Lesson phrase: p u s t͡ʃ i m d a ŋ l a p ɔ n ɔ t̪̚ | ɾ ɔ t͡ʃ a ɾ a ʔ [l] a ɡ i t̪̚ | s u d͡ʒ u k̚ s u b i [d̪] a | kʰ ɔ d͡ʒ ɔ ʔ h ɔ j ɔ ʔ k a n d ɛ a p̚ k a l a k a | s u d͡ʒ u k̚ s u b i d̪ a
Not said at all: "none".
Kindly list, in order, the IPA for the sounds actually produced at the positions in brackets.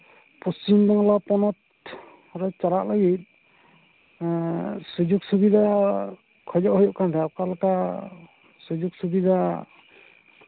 l, d̪

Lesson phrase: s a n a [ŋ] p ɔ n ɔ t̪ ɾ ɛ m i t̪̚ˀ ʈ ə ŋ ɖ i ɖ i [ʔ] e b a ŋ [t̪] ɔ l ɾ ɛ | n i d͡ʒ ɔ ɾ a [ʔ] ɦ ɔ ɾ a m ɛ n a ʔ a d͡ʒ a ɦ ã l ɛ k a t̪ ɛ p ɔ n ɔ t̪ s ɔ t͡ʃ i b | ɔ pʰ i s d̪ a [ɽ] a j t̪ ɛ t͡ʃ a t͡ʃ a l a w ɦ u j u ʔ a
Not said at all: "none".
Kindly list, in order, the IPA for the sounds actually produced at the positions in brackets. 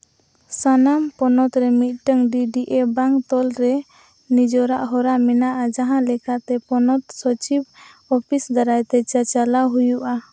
m, ʔ, t̪, ʔ, ɾ

